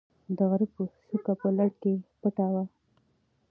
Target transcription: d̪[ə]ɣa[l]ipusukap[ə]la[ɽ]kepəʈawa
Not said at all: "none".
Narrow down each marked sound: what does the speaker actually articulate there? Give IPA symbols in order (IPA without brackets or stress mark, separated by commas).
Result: ə, ɾ, ə, ɽ